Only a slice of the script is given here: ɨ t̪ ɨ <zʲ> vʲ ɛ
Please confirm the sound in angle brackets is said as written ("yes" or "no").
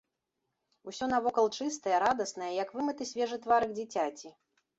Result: no